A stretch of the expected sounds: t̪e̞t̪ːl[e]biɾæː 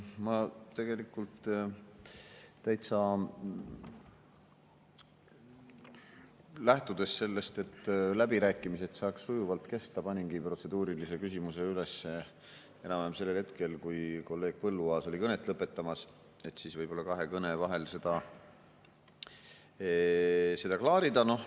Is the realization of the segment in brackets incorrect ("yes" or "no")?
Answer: yes